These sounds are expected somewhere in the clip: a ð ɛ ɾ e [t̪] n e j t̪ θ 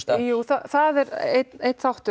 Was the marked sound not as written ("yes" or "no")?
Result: no